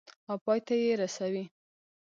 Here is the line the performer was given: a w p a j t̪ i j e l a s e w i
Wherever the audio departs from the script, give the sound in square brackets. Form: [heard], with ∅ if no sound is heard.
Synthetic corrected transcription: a w p [ɑ] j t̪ [a] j e [ɾ] a s [a] w i